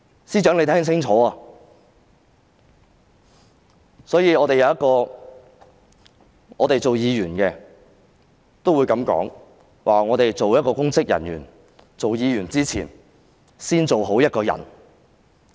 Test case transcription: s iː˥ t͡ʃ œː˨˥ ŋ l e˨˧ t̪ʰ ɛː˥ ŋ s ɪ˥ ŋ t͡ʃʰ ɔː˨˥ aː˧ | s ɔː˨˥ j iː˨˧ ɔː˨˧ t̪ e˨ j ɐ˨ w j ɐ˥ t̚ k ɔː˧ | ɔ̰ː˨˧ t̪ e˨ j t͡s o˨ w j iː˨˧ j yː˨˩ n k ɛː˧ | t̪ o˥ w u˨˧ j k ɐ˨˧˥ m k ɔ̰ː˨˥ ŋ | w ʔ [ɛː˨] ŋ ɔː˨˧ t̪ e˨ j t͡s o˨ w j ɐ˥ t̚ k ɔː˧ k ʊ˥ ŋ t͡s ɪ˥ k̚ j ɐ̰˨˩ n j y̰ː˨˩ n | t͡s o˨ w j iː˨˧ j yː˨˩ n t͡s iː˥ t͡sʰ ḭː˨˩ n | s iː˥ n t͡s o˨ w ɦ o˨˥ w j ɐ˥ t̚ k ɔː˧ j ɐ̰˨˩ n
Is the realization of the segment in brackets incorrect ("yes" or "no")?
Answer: yes